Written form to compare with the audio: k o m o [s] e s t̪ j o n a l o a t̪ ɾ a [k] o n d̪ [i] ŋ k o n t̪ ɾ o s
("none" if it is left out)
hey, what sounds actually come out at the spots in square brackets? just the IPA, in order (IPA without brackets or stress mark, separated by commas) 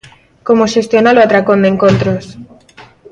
ʃ, k, e